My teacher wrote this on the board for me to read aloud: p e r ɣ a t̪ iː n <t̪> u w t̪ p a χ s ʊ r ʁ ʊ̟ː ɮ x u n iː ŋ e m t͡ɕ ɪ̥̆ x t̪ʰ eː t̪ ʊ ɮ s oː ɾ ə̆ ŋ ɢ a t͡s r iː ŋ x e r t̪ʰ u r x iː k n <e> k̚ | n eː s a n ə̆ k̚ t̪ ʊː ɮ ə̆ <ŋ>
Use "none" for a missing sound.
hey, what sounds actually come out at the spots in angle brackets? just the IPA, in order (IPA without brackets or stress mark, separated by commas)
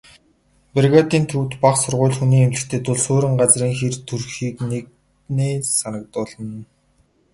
t̪ʰ, e, n